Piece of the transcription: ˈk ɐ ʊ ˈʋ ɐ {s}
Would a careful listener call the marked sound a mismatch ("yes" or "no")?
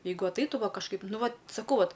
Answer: yes